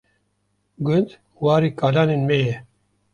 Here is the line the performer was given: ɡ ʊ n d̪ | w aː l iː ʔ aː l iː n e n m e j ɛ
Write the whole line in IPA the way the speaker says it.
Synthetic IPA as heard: ɡ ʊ n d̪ | w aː ɾ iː k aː l aː n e n m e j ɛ